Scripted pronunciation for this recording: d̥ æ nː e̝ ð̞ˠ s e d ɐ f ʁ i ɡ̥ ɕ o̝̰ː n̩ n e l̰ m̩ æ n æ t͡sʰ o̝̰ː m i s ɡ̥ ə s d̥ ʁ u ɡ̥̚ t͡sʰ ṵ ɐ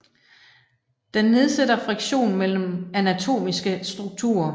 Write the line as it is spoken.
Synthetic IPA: d̥ e nː e̝ ð̞ˠ s e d ɐ f ʁ i ɡ̥ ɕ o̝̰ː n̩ m e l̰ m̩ æ n æ t͡sʰ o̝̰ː m i s ɡ̥ ə s d̥ ʁ u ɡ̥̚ t͡sʰ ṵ ɐ